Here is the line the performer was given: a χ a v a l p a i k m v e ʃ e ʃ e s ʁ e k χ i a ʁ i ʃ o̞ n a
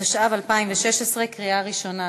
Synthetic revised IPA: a ʃ a v a l p a i m v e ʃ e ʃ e s ʁ e k ʁ i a ʁ i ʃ o̞ n a

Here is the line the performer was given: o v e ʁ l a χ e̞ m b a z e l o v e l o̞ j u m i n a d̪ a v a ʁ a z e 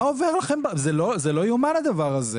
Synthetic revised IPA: o v e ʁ l a χ e̞ m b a z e l o z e l o̞ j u m a n a d̪ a v a ʁ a z e

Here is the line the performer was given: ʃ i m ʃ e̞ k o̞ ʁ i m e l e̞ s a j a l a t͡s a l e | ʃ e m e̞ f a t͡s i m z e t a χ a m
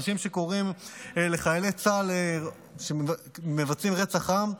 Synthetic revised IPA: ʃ i m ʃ e̞ k o̞ ʁ i m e l e̞ χ a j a l e t͡s a l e | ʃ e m e̞ v a t͡s i m ʁ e t͡s a χ a m

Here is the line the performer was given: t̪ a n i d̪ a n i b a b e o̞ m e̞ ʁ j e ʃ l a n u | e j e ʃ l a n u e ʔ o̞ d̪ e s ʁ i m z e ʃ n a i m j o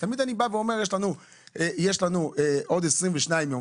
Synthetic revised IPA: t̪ a m i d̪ a n i b a v e o̞ m e̞ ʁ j e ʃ l a n u | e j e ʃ l a n u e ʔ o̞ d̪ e s ʁ i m v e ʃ n a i m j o

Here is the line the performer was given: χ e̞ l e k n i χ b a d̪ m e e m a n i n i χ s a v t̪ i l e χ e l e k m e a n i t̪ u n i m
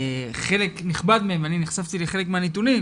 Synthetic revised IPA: χ e̞ l e k n i χ b a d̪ m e e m a n i n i χ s a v t̪ i l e χ e l e k m e a n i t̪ u n i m

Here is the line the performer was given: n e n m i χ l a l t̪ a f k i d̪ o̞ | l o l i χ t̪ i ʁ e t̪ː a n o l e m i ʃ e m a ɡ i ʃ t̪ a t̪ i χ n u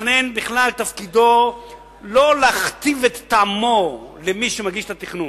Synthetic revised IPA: n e n b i χ l a l t̪ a f k i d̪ o̞ | l o l a χ t̪ i v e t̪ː a m o l e m i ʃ e m a ɡ i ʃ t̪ a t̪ i χ n u

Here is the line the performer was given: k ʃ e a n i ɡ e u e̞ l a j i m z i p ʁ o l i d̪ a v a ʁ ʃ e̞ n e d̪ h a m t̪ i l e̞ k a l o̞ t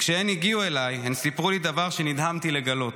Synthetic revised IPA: k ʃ e e n i ɡ i u e̞ l a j e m s i p ʁ u l i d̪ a v a ʁ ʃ e̞ n i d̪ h a m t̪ i l e̞ ɡ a l o̞ t

